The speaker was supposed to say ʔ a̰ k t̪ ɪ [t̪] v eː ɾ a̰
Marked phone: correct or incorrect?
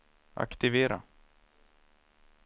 incorrect